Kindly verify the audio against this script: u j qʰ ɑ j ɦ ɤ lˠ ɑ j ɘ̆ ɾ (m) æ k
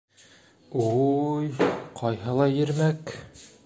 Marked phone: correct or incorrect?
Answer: correct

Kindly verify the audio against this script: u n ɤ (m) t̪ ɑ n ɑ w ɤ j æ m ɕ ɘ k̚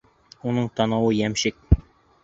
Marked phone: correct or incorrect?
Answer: incorrect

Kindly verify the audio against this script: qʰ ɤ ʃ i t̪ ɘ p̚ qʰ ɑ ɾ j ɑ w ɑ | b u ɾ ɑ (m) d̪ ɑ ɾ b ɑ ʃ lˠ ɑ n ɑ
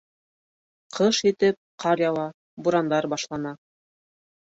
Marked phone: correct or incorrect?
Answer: incorrect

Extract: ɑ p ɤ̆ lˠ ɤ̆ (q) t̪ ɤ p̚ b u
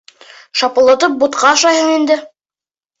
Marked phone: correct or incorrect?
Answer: incorrect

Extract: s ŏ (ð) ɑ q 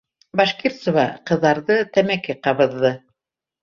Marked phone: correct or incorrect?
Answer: incorrect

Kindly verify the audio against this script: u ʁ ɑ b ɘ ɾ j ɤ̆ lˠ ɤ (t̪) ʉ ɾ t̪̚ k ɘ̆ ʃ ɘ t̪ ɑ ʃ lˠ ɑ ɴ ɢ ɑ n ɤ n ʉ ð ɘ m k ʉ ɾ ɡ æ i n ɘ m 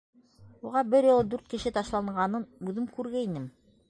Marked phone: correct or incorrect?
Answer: incorrect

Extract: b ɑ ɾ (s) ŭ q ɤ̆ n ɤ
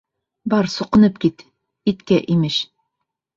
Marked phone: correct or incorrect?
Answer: correct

